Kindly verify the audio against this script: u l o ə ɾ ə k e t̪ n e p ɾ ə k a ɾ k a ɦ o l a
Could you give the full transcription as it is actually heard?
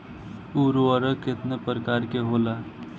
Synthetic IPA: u ɾ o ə ɾ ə k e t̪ n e p ɾ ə k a ɾ k e ɦ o l a